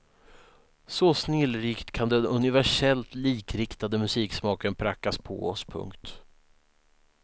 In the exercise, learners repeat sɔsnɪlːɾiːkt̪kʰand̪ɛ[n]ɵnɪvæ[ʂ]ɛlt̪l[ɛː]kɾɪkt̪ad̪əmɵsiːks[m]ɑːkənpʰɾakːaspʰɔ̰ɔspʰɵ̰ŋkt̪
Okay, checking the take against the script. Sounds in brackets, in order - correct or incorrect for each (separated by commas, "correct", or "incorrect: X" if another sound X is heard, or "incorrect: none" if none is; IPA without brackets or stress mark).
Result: correct, correct, incorrect: iː, correct